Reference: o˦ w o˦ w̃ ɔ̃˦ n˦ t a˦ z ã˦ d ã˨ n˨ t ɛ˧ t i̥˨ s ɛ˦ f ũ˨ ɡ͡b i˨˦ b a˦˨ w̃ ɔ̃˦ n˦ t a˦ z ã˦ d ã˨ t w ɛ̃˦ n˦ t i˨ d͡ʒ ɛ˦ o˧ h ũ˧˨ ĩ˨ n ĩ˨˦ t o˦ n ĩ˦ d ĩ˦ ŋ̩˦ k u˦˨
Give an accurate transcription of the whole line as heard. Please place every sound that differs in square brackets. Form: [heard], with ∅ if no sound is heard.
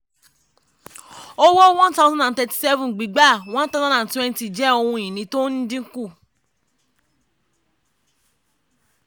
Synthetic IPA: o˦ w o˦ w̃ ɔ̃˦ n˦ t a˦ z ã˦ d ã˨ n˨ t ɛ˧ t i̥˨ s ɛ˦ [v] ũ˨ ɡ͡b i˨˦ [ɡ͡b] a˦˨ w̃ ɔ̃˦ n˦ t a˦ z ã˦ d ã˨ t w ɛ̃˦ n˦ t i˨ d͡ʒ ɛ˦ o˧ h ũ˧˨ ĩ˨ n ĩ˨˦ t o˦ n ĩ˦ d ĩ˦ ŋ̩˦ k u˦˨